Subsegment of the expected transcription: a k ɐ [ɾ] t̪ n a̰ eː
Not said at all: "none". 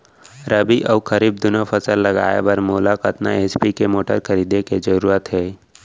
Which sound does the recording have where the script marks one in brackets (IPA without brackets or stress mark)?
none